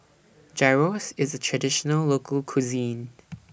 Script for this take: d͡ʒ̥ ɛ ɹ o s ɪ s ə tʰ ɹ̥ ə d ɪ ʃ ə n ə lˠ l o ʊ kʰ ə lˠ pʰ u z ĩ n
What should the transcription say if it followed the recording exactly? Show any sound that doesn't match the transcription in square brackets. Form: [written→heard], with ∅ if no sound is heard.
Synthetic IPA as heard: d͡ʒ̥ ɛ ɹ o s ɪ [s→z] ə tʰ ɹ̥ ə d ɪ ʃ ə n ə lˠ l o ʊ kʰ ə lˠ [pʰ→kʰ] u z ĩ n